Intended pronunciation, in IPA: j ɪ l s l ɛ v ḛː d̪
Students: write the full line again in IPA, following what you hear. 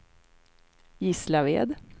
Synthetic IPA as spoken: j ɪ s l a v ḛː d̪